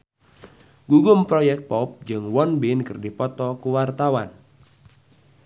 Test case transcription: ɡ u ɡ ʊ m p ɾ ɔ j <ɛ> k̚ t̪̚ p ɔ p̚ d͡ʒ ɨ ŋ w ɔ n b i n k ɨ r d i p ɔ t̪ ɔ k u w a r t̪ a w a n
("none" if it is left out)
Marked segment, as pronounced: ɛ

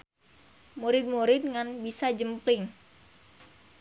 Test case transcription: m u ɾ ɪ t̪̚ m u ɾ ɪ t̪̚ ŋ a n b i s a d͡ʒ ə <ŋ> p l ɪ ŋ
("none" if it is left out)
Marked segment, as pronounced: m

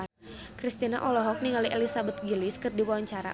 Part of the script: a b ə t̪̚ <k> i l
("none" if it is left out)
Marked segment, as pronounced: ɡ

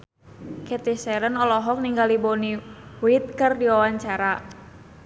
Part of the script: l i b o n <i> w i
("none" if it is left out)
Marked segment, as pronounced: i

